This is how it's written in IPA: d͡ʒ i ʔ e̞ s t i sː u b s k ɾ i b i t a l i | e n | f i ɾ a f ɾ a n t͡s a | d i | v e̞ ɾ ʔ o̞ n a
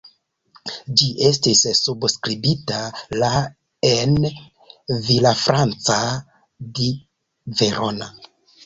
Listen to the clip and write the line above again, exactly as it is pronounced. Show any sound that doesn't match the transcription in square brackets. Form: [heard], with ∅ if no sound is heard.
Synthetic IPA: d͡ʒ i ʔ e̞ s t i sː u b s k ɾ i b i t a l [a] | e n | [v] i [l] a f ɾ a n t͡s a | d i | v e̞ ɾ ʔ o̞ n a